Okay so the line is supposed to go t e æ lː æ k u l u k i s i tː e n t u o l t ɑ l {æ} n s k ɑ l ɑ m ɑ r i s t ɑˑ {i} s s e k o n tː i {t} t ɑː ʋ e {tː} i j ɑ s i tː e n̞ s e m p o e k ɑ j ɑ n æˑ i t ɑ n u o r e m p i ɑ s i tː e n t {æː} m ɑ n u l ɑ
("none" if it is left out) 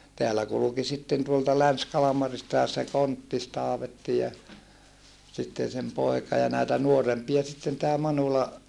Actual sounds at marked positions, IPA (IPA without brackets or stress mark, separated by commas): æ, e, s, tː, æː